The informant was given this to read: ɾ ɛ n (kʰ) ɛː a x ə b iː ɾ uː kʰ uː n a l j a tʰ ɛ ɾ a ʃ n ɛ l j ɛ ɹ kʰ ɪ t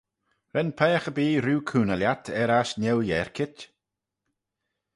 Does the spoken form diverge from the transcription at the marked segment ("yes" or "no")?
yes